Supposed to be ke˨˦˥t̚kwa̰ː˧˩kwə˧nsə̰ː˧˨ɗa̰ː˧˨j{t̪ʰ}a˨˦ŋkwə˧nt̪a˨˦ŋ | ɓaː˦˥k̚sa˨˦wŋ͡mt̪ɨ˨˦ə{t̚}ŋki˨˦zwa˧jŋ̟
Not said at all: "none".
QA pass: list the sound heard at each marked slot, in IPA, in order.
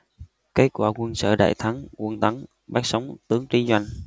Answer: t̪ʰ, none

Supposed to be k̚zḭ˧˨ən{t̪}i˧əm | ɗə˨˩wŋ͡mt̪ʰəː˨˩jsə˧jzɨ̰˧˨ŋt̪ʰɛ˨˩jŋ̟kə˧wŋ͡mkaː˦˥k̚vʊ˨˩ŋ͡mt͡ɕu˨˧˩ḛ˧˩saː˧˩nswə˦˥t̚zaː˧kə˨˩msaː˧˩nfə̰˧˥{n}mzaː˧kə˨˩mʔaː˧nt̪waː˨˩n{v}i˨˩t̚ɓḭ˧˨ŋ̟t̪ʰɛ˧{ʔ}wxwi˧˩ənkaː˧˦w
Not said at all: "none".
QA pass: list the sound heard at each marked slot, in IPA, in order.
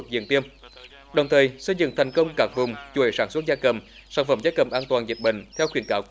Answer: t̪, none, z, none

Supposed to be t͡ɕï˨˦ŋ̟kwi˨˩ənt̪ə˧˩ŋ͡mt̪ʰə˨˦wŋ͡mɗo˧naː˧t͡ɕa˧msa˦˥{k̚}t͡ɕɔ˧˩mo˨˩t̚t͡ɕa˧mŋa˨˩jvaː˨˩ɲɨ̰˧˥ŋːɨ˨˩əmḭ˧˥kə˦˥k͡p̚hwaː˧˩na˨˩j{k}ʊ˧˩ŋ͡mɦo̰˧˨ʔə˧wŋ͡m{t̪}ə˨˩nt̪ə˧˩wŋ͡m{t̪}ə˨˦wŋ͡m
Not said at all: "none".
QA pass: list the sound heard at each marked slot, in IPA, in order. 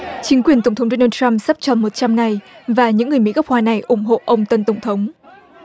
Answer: p̚, ʔ, t̪, t̪ʰ

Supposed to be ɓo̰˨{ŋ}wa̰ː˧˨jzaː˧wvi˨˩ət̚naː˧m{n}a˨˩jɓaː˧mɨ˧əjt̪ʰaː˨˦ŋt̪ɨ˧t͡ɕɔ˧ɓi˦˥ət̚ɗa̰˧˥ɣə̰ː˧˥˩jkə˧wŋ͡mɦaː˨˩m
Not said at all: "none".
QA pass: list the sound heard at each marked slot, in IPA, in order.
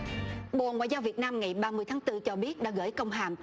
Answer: ŋ, ŋ

